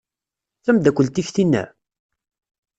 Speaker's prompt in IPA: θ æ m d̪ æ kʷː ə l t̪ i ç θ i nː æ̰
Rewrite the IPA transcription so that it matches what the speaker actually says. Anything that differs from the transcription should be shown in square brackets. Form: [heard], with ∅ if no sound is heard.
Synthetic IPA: θ æ m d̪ æ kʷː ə l t̪ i ç θ i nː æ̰